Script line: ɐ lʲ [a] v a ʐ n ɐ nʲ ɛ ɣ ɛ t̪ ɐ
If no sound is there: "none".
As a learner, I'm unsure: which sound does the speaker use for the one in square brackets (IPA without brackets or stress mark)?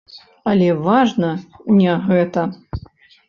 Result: ɛ